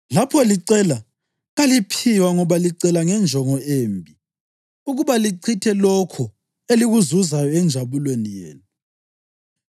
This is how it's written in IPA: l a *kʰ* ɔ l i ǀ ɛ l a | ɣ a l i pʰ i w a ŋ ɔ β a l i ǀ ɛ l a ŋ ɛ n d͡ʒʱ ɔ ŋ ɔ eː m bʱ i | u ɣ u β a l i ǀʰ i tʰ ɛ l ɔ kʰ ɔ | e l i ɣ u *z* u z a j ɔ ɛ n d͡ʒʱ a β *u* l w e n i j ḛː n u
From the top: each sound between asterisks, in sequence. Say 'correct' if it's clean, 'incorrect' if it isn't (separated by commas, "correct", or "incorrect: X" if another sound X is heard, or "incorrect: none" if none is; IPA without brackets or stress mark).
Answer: incorrect: pʰ, correct, correct